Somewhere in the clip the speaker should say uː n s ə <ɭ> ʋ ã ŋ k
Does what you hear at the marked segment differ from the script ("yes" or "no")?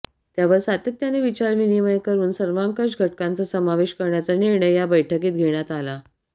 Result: yes